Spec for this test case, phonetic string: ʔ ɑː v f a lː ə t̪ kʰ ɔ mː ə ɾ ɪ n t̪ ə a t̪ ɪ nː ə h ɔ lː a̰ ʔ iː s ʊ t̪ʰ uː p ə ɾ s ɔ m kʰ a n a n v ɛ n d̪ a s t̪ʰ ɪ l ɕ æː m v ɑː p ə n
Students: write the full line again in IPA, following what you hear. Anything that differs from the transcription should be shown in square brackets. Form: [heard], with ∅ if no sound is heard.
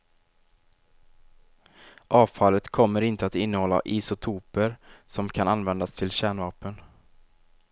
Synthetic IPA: ʔ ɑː v f a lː ə t̪ kʰ ɔ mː ə ɾ ɪ n t̪ ə a t̪ ɪ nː ə h ɔ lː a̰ ʔ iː s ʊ t̪ʰ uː p ə ɾ s ɔ m kʰ a n a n v ɛ n d̪ a s t̪ʰ ɪ l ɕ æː [ɳ] v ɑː p ə n